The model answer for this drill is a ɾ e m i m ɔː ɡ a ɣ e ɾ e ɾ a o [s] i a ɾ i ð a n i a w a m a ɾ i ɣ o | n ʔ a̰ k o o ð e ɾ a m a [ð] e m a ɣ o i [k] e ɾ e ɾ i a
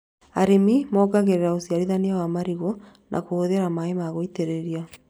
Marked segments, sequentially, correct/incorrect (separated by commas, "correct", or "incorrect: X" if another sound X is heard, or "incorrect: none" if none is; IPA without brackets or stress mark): correct, incorrect: none, incorrect: t